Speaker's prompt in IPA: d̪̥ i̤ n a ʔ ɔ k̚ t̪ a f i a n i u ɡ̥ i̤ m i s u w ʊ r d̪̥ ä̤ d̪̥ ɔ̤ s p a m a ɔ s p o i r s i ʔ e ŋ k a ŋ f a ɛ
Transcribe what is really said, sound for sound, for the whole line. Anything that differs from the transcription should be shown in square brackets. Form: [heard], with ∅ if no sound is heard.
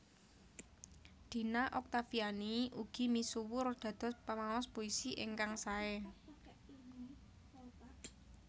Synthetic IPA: d̪̥ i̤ n a ʔ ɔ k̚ t̪ a f i a n i u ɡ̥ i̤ m i s u w ʊ r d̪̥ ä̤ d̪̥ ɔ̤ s p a m a ɔ s p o i [∅] s i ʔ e ŋ k a ŋ [s] a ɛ